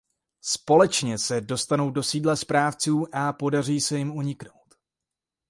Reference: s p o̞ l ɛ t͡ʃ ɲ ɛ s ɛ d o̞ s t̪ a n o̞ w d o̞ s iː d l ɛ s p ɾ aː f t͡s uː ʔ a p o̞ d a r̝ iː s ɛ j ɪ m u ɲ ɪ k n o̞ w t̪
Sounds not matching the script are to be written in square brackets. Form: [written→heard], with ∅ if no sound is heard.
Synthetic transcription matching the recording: s p o̞ l ɛ t͡ʃ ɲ ɛ s ɛ d o̞ s t̪ a n o̞ w d o̞ s iː d l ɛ s p ɾ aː f t͡s uː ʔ a p o̞ d a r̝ iː s ɛ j ɪ m u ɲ ɪ k n o̞ w t̪